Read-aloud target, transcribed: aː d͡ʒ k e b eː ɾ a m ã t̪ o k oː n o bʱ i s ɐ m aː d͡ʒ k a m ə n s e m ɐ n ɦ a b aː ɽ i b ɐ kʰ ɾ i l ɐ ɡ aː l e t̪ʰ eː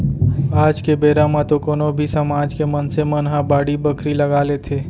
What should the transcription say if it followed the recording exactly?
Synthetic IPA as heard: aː d͡ʒ k e b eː ɾ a m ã t̪ o k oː n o bʱ i s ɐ m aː d͡ʒ k e m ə n s e m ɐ n ɦ a b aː ɽ i b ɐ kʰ ɾ i l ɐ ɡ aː l e t̪ʰ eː